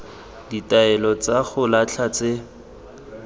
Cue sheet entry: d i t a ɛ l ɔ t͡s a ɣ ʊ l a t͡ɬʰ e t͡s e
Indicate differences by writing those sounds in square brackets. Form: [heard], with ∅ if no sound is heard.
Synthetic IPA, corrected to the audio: d i t a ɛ l ɔ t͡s a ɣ ʊ l a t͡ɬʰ [a] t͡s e